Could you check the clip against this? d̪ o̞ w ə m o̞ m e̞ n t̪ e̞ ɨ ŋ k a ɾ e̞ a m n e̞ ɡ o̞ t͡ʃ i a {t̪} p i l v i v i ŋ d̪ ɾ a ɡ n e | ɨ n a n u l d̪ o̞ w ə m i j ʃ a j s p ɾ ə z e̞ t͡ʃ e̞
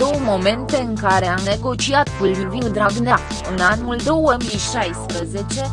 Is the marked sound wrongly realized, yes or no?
no